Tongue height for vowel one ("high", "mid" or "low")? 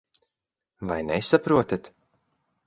low